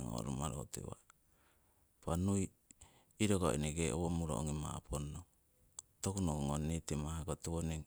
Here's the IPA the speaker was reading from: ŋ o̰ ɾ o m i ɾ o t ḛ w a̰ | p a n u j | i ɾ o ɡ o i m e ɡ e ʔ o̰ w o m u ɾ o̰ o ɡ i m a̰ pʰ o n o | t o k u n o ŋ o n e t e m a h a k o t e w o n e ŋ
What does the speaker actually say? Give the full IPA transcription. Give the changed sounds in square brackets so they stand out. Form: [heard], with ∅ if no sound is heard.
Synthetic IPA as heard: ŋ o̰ ɾ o m [a] ɾ o t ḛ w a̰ | p a n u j | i ɾ o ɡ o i [n] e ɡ e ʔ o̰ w o m u ɾ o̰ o [ŋ] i m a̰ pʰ o n o | t o k u n o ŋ o n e t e m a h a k o t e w o n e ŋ

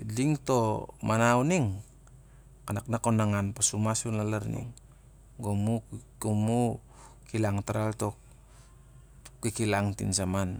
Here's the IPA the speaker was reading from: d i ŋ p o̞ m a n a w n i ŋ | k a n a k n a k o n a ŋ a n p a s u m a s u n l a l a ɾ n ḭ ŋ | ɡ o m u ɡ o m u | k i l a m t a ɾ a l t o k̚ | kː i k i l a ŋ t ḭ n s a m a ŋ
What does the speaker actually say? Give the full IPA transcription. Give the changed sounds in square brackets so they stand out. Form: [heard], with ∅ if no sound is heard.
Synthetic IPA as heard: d i ŋ [t] o̞ m a n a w n i ŋ | k a n a k n a k o n a ŋ a n p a s u m a s u n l a l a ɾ n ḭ ŋ | ɡ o m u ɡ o m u | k i l a [ŋ] t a ɾ a l t o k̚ | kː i k i l a ŋ t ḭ n s a m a [n]

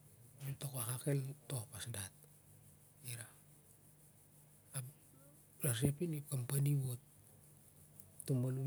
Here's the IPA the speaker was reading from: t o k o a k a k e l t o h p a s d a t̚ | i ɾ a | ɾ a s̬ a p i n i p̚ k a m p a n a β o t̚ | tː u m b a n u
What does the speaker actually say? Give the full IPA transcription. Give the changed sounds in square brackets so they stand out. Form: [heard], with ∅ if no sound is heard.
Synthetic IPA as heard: t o k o a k a k e l t o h p a s d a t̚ | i ɾ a | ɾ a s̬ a p i n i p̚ k a m p a n [i] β o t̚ | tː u m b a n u

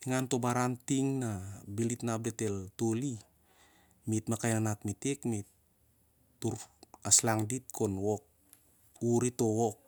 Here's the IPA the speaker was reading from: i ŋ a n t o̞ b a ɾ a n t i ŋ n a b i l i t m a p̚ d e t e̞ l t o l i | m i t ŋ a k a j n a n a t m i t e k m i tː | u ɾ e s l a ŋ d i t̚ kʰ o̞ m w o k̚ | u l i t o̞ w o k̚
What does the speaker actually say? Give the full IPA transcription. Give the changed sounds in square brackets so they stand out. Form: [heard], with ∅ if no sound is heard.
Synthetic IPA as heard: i ŋ a n t o̞ b a ɾ a n t i ŋ n a b i l i t [n] a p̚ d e t e̞ l t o l i | m i t [m] a k a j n a n a t m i t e k m i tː | u ɾ [a] s l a ŋ d i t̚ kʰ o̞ [n] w o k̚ | u [ɾ] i t o̞ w o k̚

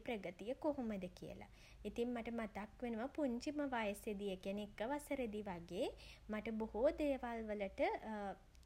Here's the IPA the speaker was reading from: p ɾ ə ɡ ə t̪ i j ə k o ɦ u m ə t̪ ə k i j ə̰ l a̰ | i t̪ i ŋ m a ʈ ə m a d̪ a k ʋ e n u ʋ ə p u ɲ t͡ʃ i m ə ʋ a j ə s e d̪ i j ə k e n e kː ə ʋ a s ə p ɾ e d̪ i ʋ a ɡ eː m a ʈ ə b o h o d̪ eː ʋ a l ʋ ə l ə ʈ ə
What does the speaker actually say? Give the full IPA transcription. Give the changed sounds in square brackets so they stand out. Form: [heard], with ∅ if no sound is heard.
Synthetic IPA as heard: p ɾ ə ɡ ə t̪ i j ə k o ɦ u m ə [d̪] ə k i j ə̰ l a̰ | i t̪ i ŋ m a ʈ ə m a [t̪] a k ʋ e n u ʋ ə p u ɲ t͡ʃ i m ə ʋ a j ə s e d̪ i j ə k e n e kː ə ʋ a s ə [∅] ɾ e d̪ i ʋ a ɡ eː m a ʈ ə b o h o d̪ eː ʋ a l ʋ ə l ə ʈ ə

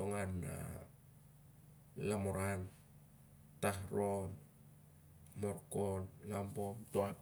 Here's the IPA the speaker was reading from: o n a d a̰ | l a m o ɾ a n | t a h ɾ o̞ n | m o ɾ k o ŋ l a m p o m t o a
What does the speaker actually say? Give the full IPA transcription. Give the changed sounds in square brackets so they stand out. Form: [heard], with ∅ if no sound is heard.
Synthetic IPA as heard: o [ŋ] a [n] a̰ | l a m o ɾ a n | t a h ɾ o̞ n | m o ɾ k o [n] l a m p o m t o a

